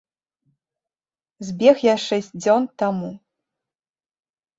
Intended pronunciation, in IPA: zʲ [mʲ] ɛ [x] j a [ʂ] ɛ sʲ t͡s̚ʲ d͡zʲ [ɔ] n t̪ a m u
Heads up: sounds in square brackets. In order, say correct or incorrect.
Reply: incorrect, correct, correct, correct

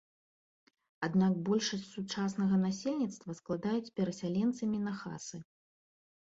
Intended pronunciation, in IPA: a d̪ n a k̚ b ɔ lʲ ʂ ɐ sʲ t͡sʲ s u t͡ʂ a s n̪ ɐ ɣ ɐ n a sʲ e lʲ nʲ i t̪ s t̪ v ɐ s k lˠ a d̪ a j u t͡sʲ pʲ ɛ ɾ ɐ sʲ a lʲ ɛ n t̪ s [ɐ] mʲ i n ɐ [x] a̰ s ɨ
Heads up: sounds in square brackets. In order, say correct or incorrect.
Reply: correct, correct

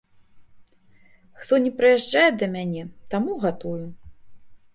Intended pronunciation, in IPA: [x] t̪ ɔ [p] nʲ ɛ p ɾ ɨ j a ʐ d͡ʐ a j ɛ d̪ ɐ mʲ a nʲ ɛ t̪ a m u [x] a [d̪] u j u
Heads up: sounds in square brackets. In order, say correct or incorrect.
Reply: correct, incorrect, incorrect, incorrect

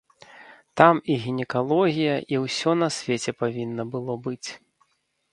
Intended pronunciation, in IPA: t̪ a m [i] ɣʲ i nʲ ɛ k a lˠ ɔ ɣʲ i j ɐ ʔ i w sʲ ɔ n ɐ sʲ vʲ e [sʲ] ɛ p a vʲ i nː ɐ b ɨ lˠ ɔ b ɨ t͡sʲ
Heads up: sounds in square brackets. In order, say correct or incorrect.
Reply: correct, incorrect

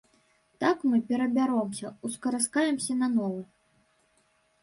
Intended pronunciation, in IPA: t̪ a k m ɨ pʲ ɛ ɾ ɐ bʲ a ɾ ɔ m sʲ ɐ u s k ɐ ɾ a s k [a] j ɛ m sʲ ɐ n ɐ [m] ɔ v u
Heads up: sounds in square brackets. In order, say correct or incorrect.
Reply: correct, incorrect

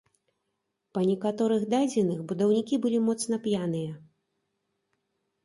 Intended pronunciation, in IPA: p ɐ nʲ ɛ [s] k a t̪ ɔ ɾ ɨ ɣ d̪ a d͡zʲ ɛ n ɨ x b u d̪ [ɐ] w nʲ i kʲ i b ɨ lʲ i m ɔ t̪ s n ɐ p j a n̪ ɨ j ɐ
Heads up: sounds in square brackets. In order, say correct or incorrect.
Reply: incorrect, correct

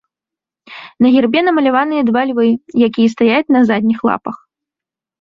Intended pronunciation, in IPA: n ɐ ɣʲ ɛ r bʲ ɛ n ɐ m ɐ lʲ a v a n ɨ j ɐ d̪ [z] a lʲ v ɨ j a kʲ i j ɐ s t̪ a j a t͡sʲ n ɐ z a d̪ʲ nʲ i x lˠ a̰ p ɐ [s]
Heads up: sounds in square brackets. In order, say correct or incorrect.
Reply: incorrect, incorrect

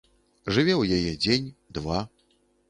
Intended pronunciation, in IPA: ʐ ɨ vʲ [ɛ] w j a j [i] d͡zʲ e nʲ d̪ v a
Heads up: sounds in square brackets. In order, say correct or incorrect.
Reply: correct, incorrect

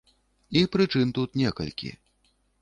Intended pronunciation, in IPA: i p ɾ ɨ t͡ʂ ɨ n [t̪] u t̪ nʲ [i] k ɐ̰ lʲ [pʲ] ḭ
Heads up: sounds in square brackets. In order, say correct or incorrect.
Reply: correct, incorrect, incorrect

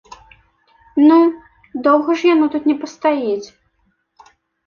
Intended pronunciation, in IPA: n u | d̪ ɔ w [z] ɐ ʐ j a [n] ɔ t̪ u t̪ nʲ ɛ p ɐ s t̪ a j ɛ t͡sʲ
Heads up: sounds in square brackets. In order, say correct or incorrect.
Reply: incorrect, correct

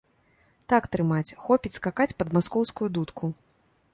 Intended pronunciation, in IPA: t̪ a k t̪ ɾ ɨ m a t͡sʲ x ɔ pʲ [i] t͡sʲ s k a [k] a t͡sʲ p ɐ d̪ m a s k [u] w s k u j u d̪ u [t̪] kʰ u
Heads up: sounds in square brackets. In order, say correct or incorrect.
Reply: correct, correct, incorrect, correct

